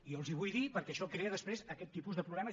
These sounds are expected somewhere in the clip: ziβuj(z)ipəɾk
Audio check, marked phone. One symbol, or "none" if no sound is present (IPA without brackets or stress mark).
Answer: ð